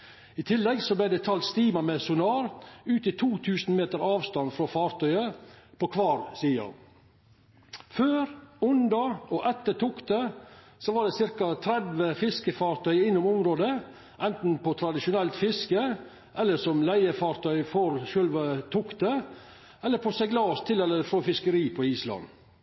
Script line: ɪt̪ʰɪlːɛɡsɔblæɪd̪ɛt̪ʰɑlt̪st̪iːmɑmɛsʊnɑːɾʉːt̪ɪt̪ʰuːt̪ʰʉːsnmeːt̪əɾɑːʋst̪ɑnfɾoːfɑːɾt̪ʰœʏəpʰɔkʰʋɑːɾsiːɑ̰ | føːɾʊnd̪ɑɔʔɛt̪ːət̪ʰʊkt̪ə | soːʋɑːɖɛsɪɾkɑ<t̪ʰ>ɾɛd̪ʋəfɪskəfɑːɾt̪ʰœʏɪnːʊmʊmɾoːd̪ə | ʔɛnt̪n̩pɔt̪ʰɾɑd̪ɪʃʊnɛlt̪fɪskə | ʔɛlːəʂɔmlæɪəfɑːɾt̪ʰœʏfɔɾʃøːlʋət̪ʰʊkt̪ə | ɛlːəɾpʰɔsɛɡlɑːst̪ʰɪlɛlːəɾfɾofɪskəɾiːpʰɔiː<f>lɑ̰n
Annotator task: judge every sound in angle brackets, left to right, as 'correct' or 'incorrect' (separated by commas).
correct, incorrect